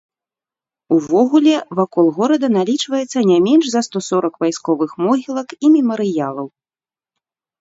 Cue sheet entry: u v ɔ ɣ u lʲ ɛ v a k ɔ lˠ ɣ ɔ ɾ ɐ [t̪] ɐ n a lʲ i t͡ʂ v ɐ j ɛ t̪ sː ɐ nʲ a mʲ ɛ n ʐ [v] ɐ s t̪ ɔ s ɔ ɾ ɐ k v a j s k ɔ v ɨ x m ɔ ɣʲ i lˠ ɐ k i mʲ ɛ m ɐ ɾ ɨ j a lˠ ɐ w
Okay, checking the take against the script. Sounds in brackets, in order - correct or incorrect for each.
incorrect, incorrect

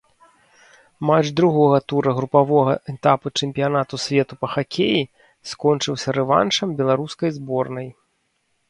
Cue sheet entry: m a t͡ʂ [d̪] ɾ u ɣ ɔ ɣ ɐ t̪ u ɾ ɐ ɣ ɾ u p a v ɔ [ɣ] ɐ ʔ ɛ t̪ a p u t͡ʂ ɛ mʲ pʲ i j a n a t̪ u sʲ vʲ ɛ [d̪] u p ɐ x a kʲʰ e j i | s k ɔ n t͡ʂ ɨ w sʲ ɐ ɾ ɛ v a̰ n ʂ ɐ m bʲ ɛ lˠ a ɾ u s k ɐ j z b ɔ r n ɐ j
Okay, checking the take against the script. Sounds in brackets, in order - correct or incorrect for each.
correct, correct, incorrect

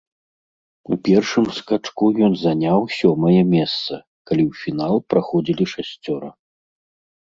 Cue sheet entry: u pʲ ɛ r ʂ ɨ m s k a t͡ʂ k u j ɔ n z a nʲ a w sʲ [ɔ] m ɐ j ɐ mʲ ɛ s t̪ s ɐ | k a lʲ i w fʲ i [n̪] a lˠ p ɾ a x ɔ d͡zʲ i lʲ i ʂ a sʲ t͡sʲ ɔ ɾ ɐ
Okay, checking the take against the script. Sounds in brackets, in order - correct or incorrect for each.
correct, correct

